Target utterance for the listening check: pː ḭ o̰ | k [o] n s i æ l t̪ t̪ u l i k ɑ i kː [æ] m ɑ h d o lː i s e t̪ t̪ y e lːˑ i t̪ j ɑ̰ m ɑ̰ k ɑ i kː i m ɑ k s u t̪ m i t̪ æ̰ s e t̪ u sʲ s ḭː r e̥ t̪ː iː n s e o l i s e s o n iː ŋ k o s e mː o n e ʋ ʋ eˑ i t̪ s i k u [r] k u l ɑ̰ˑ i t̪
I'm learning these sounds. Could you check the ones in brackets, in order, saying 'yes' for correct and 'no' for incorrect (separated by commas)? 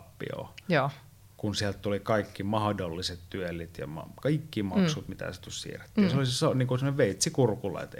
no, no, yes